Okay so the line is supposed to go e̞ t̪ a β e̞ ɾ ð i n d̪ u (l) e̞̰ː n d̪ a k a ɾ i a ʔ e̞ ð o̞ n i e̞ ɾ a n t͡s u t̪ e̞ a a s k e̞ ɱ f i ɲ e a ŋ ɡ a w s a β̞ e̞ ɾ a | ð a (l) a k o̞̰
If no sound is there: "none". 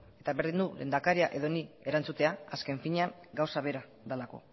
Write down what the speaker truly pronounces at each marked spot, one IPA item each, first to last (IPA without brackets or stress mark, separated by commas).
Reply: l, l